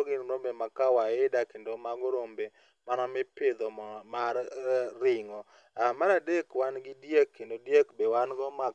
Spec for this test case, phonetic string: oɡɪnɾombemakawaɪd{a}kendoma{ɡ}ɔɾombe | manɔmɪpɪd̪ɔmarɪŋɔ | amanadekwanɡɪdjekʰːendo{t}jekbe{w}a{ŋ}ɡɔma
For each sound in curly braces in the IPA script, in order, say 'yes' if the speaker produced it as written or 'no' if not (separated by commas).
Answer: yes, yes, no, yes, no